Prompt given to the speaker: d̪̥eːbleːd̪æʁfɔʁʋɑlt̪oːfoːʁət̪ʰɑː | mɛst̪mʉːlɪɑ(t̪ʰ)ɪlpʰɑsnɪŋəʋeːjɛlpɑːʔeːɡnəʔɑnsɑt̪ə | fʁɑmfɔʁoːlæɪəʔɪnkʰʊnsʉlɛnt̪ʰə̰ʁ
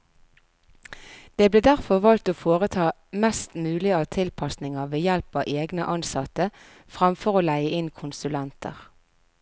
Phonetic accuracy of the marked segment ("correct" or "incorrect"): correct